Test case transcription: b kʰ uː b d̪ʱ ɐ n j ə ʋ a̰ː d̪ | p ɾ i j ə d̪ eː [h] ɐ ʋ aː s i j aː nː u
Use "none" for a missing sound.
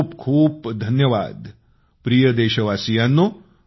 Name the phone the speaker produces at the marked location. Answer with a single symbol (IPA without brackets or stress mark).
ʃ